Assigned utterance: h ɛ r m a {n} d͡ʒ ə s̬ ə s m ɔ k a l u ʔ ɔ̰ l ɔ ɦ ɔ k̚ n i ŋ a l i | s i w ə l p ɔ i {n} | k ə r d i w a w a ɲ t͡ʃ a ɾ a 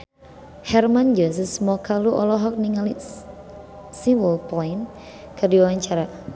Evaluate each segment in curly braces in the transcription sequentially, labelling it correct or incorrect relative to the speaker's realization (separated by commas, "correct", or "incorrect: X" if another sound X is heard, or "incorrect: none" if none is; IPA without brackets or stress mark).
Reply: correct, correct